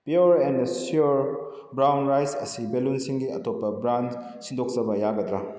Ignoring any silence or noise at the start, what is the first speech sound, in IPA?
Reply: p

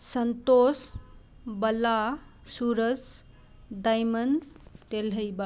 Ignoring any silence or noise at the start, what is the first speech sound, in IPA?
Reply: s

